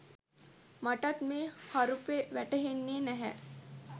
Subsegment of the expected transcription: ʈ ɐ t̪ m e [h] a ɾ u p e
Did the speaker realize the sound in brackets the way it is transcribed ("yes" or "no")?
yes